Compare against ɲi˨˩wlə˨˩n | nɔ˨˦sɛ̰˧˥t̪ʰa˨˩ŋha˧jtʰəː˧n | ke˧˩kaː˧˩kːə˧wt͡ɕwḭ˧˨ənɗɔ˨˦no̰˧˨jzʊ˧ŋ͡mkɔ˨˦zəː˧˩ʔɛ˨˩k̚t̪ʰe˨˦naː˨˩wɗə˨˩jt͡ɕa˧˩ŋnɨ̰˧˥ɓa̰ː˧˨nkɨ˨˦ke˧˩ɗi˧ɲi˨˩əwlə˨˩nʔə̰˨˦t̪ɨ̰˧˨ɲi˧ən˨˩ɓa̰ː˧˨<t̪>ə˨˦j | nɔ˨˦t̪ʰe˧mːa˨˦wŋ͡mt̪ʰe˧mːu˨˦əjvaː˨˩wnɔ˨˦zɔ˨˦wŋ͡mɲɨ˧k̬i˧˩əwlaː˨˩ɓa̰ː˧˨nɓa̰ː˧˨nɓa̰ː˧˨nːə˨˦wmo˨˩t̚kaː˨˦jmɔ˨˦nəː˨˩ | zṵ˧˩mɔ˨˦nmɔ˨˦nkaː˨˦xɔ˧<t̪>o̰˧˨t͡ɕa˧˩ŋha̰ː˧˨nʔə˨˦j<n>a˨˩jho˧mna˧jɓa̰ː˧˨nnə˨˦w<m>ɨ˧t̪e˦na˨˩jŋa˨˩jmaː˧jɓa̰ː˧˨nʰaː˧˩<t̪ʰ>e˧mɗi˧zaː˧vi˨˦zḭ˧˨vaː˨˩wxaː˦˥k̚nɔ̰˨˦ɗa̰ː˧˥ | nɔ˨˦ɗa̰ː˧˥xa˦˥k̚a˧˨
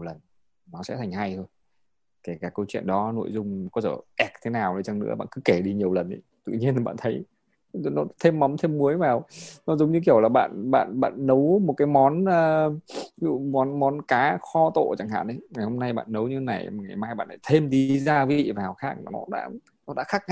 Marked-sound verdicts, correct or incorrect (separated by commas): incorrect, correct, incorrect, incorrect, correct